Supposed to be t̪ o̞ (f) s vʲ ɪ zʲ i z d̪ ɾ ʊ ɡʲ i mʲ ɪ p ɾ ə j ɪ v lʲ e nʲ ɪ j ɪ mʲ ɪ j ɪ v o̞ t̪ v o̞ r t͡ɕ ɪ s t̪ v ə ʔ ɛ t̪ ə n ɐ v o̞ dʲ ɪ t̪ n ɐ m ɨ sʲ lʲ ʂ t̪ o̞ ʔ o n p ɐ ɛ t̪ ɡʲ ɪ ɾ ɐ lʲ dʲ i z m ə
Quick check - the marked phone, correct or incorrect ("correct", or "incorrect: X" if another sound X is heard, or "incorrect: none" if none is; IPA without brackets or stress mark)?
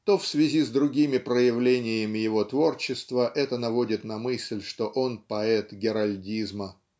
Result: correct